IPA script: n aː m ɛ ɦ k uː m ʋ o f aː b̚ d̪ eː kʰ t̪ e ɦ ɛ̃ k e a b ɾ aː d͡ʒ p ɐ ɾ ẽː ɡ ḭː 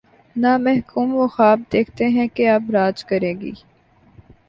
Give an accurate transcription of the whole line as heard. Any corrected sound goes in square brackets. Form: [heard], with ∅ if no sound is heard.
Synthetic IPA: n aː m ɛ ɦ k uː m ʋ o [x] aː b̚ d̪ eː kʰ t̪ e ɦ ɛ̃ k e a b ɾ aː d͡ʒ [k] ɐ ɾ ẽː ɡ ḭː